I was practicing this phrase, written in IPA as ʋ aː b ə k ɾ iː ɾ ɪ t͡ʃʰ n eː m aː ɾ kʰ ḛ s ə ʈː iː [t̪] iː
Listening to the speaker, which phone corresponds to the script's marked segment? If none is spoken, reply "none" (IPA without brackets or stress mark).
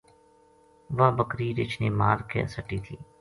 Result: t̪ʰ